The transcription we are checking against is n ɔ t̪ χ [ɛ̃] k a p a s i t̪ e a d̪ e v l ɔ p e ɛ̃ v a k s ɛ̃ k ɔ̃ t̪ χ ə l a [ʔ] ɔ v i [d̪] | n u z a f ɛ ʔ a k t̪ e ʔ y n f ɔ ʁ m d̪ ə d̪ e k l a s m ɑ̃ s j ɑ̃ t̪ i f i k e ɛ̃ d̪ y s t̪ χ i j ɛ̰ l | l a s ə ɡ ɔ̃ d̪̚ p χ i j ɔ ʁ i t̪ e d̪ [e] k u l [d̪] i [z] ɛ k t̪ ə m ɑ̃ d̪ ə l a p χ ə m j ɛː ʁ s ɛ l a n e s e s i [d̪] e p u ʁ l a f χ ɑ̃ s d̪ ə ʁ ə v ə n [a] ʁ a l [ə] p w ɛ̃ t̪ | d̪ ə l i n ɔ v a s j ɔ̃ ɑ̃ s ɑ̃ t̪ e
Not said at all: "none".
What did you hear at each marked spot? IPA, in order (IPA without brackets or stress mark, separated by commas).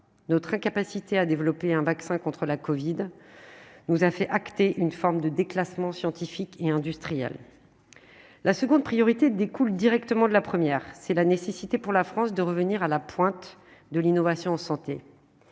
ɛ̃, k, d̪, e, d̪, ʁ, t̪, i, a